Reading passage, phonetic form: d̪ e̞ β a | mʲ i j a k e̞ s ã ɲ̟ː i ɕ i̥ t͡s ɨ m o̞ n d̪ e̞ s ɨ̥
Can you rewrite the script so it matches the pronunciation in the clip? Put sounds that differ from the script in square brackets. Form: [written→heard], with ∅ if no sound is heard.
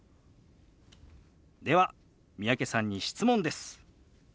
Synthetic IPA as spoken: d̪ e̞ β a | mʲ i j a k e̞ s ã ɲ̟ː i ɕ i̥ t͡s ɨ m [o̞→õ̞] n d̪ e̞ s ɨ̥